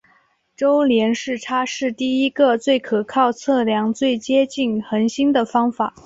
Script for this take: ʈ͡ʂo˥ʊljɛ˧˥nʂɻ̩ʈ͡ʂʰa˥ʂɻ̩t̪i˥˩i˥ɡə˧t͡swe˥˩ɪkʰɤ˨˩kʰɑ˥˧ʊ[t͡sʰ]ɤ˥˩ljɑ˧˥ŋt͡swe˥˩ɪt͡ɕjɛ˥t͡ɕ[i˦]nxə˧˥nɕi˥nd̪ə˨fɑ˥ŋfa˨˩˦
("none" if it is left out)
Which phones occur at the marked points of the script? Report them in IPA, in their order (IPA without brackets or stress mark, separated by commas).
t͡sʰ, i˥˩